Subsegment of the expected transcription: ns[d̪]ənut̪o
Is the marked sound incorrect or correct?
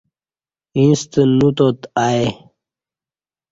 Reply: incorrect